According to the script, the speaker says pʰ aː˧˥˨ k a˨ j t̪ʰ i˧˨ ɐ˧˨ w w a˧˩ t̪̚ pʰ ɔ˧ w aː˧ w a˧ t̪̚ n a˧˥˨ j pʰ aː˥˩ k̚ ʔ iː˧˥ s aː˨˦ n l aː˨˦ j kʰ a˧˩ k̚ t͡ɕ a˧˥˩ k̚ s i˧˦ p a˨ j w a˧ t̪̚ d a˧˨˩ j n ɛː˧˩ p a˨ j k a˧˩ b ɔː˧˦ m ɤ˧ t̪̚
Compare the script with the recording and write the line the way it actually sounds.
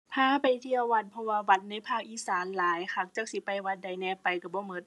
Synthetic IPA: pʰ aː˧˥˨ p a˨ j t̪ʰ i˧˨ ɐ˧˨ w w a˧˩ t̪̚ pʰ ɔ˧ w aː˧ w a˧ t̪̚ n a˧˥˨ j pʰ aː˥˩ k̚ ʔ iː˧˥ s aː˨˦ n l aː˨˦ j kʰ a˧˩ k̚ t͡ɕ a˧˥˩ k̚ s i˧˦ p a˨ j w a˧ t̪̚ d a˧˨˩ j n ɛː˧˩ p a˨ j k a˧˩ b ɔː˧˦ m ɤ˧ t̪̚